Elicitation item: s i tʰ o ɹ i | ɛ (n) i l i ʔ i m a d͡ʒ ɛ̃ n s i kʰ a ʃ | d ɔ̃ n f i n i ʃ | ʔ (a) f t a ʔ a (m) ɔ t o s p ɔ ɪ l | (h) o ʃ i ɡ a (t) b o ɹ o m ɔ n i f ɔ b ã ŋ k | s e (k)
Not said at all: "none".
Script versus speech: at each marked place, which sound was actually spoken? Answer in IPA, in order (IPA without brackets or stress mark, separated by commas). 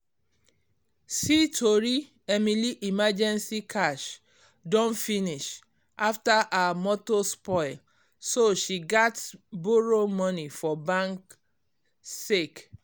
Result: m, a, m, s, t, k